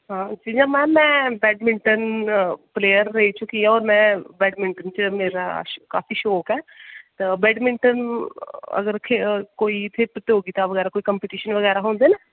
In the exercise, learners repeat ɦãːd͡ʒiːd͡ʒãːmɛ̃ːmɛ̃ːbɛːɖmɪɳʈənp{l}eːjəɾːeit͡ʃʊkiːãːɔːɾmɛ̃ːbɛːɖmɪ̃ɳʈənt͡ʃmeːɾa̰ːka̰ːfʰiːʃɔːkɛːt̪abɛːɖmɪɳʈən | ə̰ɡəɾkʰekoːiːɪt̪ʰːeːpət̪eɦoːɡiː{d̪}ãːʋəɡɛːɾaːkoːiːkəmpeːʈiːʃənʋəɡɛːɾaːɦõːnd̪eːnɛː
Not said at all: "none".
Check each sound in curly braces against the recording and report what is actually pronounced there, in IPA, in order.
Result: l, t̪

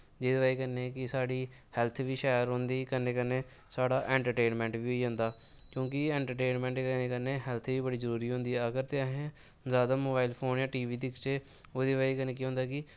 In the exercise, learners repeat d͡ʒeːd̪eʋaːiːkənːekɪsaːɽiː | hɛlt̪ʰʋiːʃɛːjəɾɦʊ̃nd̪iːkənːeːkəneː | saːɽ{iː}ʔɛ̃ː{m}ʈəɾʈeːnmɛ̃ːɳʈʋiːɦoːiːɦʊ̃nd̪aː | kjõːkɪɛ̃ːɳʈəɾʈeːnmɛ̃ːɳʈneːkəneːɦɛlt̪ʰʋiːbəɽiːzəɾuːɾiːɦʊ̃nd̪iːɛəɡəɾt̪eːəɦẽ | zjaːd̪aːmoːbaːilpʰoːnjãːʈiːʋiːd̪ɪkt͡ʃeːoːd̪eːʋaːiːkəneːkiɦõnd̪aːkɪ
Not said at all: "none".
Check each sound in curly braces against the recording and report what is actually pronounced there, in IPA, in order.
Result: aː, ɳ

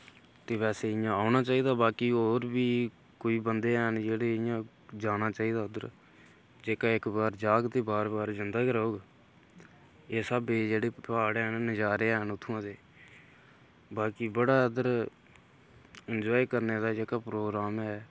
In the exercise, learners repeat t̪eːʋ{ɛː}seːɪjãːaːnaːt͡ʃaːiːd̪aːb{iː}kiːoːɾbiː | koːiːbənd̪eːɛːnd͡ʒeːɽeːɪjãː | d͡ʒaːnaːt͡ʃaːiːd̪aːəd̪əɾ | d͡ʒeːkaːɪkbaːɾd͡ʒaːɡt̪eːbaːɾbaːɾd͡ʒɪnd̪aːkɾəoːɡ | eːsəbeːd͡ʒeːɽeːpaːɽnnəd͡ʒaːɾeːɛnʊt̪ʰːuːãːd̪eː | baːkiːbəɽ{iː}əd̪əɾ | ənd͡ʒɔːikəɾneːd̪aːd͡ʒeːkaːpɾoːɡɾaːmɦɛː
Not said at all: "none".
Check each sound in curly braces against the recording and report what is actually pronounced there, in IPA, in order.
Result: ɛː, aː, aː

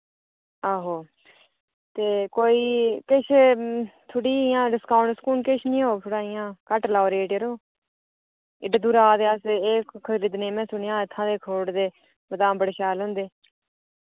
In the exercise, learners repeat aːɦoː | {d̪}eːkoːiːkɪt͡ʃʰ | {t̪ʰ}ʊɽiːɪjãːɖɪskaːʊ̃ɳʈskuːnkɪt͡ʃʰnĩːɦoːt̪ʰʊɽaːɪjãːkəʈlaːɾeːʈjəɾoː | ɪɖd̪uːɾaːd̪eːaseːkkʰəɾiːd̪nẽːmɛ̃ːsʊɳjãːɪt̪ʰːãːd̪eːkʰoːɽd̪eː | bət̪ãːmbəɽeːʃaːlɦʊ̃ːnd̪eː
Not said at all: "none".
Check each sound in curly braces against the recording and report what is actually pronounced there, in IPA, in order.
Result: t̪, t̪ʰ

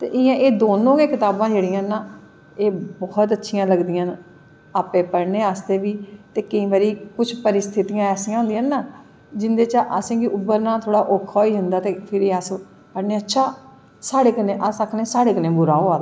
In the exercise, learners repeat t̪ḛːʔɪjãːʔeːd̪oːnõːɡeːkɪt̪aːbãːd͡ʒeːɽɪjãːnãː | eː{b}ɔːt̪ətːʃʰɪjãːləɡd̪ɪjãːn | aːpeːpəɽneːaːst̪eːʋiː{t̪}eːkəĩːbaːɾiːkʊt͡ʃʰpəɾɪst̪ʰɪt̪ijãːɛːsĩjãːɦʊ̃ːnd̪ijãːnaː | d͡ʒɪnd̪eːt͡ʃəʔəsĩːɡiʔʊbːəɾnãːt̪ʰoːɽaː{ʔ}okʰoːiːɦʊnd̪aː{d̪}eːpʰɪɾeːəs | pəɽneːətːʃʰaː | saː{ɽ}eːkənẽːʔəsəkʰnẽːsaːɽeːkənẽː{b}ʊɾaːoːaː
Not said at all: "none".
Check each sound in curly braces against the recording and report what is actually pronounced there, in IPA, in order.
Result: b, t̪, ʔ, t̪, ɽ, b

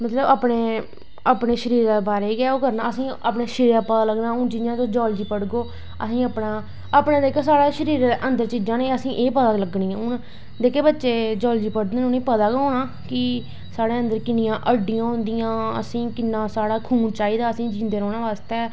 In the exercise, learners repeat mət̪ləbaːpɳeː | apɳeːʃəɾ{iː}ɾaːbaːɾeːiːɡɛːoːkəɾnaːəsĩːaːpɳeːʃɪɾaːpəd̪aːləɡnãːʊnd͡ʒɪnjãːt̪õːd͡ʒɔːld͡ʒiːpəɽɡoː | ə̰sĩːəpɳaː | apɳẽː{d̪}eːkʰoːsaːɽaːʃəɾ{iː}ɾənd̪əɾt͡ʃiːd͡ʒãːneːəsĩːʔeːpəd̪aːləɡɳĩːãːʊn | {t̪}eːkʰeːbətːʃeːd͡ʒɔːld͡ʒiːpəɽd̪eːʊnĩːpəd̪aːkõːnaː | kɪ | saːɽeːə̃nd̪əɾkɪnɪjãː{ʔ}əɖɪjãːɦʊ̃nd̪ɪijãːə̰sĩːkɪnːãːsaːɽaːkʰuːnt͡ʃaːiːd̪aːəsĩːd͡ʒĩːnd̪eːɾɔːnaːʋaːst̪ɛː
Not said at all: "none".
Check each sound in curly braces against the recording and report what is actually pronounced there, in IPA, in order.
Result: iː, d̪, iː, d̪, ʔ

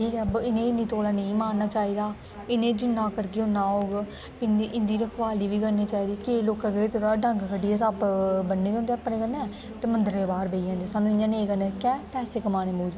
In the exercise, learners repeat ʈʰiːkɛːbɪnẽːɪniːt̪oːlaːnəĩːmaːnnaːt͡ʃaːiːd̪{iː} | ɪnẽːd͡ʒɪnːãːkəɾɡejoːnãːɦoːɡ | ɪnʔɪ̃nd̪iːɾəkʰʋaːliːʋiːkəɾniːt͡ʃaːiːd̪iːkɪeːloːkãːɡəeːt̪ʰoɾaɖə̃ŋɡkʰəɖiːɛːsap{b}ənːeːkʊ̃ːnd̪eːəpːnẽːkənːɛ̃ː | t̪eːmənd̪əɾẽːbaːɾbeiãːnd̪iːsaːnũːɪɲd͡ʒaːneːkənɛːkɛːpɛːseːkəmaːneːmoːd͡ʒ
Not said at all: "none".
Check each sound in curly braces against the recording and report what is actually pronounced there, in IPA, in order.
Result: aː, b

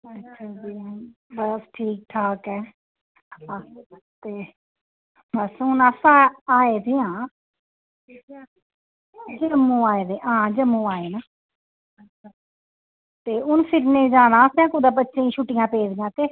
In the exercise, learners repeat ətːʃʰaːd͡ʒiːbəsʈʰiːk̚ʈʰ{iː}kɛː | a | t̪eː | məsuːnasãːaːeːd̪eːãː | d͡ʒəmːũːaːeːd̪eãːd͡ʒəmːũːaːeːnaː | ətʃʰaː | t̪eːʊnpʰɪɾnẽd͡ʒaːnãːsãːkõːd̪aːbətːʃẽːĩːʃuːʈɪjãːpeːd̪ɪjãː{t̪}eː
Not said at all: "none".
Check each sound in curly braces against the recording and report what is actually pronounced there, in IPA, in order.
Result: aː, t̪

